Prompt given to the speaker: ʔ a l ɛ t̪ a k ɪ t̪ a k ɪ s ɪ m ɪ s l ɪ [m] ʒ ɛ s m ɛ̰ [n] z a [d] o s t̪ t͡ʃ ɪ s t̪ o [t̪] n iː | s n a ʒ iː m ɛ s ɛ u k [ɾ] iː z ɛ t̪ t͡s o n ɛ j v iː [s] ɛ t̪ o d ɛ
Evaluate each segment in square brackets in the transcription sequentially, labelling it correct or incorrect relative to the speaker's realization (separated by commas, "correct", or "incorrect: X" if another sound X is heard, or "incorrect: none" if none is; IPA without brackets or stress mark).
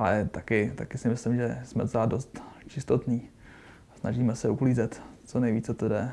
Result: correct, incorrect: none, correct, correct, incorrect: l, incorrect: t͡s